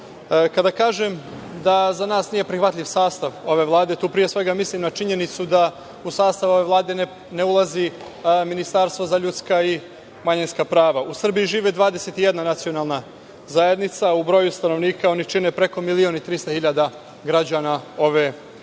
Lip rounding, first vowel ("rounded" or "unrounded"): unrounded